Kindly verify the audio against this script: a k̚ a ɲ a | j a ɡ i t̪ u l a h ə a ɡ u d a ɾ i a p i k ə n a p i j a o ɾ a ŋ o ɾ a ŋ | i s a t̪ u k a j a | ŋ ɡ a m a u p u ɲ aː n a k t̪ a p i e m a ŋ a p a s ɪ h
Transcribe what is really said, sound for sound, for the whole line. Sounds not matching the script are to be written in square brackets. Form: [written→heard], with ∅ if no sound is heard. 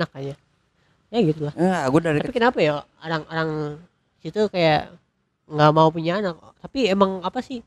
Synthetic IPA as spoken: a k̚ a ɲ a | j a ɡ i t̪ u l a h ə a ɡ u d a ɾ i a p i k ə n a p [i→a] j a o ɾ a ŋ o ɾ a ŋ | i s [a→i] t̪ u k a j a | ŋ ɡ a m a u p u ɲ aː n a k t̪ a p i e m a ŋ a p a s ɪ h